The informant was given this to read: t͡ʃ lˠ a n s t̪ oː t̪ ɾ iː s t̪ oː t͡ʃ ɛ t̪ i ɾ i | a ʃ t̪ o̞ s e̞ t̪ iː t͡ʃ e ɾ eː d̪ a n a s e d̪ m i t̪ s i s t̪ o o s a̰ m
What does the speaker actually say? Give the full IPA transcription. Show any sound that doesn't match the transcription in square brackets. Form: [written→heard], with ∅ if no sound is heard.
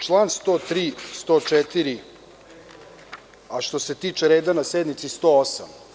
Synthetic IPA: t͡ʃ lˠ a n s t̪ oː t̪ ɾ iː s t̪ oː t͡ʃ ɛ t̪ i ɾ i | a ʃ t̪ o̞ s e̞ t̪ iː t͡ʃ e ɾ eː d̪ a n a s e d̪ [m→n] i t̪ s i s t̪ o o s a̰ m